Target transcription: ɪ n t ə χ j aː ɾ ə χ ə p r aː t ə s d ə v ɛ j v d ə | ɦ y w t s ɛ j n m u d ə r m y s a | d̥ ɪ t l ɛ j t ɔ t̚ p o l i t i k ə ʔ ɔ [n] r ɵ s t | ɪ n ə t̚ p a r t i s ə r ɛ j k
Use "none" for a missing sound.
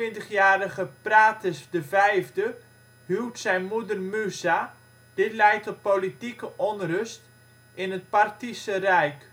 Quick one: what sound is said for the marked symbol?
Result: n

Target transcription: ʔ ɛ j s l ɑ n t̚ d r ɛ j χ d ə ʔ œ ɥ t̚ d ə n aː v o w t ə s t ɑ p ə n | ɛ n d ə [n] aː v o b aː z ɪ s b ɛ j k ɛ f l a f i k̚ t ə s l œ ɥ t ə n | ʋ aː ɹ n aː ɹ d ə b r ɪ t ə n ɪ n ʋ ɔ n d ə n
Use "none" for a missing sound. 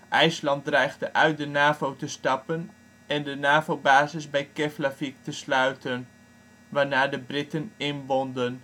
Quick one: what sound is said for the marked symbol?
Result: n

